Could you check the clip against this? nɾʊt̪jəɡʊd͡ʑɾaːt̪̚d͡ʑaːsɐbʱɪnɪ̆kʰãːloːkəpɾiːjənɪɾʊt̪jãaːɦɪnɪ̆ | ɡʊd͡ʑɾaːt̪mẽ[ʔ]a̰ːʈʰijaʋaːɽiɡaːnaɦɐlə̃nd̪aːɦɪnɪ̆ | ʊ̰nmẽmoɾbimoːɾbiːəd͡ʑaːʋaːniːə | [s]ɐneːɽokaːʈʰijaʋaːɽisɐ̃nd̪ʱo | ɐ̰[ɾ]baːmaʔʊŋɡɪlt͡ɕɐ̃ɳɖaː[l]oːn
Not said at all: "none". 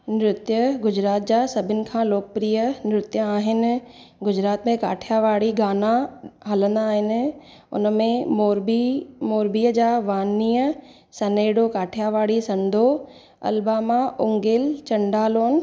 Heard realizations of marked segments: k, s, l, l

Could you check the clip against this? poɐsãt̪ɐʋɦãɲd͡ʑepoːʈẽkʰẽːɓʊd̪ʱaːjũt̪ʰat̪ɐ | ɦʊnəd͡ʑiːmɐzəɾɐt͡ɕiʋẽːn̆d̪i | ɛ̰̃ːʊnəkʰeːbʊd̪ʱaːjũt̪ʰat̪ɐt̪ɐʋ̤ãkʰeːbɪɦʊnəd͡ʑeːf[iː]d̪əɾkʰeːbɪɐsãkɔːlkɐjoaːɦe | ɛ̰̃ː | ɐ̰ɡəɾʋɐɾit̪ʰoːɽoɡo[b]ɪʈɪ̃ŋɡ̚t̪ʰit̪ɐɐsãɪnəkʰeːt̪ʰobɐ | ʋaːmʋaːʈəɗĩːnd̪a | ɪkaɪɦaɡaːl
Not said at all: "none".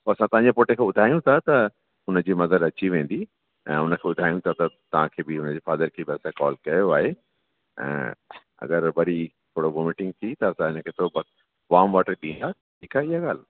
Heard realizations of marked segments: aː, m

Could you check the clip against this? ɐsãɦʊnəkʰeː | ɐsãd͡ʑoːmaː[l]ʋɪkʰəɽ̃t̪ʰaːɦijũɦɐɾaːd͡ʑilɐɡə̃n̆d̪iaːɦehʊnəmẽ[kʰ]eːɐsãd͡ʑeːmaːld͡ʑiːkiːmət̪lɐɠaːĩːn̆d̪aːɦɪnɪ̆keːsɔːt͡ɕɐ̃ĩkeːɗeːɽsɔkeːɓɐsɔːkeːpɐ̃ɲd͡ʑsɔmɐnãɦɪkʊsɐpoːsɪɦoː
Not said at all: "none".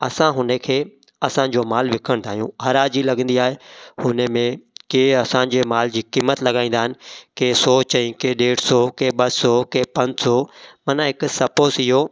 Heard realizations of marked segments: l, k

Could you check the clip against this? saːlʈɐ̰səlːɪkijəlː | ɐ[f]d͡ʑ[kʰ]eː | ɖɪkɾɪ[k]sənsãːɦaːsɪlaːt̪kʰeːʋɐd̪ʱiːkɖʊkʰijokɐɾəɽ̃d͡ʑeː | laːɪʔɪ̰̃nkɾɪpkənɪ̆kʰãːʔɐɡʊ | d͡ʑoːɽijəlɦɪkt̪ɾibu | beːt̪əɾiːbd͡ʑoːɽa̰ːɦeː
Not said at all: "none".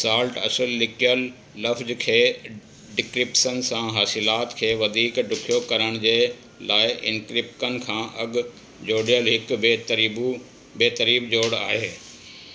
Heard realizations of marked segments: f, kʰ, p

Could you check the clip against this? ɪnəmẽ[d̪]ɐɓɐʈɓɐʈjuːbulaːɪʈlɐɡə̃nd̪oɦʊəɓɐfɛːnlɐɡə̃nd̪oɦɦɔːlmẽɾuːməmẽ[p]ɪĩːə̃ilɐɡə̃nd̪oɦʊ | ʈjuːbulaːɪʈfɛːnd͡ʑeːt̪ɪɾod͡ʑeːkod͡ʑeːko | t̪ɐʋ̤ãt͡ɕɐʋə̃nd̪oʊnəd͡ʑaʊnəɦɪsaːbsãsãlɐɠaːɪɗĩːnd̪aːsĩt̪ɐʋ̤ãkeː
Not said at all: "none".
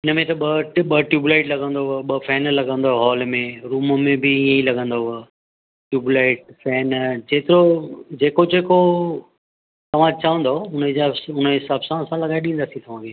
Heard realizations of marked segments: t̪, b

